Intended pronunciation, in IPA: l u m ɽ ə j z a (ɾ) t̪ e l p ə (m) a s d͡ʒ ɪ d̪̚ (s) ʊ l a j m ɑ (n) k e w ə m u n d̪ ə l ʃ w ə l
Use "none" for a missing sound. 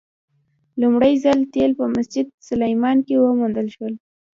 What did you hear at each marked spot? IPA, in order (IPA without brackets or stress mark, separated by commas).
l, m, s, n